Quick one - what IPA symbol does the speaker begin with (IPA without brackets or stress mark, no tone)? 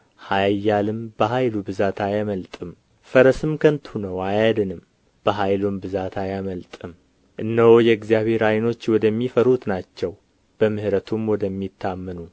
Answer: h